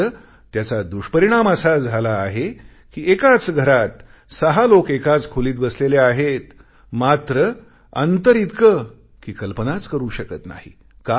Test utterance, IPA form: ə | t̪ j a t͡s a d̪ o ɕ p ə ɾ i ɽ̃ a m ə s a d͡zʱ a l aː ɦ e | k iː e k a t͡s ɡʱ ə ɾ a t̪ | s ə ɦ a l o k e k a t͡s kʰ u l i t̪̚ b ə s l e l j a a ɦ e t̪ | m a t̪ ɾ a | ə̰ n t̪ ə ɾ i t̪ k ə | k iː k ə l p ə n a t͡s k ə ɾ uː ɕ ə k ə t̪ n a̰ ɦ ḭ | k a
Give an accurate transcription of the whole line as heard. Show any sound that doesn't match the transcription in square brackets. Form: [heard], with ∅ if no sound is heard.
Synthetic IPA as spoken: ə | t̪ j a t͡s a d̪ [u] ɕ p ə ɾ i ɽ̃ a m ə s a d͡zʱ a l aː ɦ e | k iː e k a t͡s ɡʱ ə ɾ a t̪ | s ə ɦ a l o k e k a t͡s kʰ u l [iː] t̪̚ b ə s l e l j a a ɦ e t̪ | m a t̪ ɾ [ə] | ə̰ n t̪ ə ɾ i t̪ k ə | k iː k ə l p ə n a t͡s k ə ɾ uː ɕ ə k ə t̪ n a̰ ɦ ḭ | k a